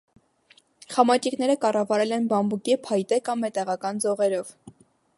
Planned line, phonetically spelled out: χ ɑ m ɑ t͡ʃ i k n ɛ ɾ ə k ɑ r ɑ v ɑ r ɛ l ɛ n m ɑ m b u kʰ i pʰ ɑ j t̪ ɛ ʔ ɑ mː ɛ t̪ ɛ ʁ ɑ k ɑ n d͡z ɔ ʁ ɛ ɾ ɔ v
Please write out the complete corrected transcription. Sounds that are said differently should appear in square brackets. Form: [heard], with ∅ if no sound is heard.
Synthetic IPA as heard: χ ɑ m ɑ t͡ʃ i k n ɛ ɾ ə k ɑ r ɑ v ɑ [ɾ] ɛ l ɛ n [b] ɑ m b u [k] i pʰ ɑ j t̪ ɛ [k] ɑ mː ɛ t̪ ɛ ʁ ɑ k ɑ n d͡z ɔ ʁ ɛ ɾ ɔ v